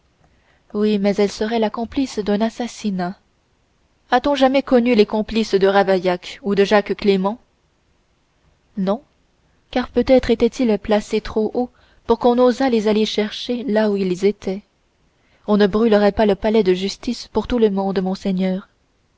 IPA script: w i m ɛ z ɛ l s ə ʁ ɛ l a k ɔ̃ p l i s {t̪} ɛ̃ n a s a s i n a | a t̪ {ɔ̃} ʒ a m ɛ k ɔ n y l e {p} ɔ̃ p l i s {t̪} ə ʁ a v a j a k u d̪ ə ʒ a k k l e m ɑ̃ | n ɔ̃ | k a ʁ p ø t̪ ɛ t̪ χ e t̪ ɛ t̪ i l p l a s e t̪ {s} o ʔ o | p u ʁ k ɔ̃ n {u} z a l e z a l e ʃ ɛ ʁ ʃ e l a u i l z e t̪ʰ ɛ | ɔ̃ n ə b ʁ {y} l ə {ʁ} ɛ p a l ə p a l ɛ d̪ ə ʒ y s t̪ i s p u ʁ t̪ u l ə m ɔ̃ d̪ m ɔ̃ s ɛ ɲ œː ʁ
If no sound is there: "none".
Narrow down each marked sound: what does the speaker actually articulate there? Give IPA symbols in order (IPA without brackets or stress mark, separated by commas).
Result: d̪, ɔ̃, k, d̪, χ, o, y, ʁ